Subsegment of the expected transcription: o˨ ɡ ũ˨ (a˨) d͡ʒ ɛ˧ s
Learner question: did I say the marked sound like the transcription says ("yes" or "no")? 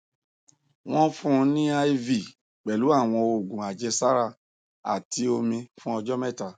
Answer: yes